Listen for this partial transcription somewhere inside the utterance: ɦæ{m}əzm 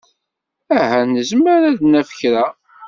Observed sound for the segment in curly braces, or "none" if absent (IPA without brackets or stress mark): n